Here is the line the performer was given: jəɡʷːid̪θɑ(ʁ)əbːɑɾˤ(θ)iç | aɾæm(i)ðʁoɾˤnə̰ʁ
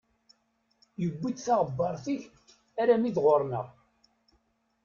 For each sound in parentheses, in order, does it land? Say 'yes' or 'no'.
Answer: yes, yes, yes

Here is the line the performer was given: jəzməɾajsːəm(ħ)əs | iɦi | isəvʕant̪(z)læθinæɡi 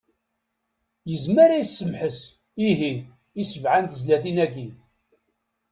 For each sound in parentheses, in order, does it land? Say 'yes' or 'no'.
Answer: yes, yes

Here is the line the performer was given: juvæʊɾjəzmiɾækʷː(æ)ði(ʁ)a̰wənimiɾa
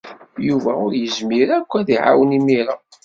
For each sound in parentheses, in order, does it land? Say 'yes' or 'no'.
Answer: yes, no

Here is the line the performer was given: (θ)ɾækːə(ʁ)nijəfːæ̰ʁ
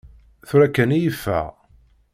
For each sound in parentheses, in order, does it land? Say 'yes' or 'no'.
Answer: yes, no

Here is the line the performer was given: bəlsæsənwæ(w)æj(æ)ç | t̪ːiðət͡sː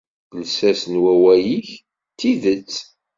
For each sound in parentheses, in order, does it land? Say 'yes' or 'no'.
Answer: yes, no

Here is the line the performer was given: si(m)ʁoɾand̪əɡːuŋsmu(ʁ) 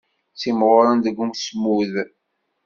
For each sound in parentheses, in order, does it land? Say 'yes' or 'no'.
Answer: yes, no

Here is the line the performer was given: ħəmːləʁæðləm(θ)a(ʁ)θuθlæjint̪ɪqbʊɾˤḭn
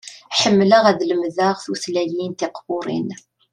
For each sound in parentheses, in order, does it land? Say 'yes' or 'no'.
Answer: no, yes

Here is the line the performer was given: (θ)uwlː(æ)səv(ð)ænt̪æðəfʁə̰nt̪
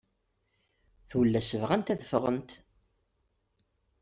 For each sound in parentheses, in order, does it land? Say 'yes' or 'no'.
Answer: yes, yes, no

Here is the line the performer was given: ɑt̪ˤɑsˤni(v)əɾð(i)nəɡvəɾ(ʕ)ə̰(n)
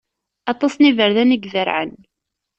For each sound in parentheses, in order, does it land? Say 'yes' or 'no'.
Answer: yes, no, yes, yes

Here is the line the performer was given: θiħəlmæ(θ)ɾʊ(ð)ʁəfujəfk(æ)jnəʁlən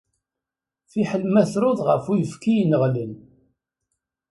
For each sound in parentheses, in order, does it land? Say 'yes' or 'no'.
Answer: yes, yes, no

